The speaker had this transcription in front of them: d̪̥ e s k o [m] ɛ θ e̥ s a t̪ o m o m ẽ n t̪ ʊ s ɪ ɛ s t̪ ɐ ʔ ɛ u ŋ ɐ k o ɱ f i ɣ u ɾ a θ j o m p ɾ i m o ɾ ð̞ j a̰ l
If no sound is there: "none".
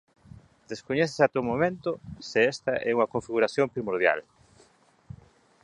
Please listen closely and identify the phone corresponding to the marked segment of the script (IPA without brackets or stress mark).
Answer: ɲ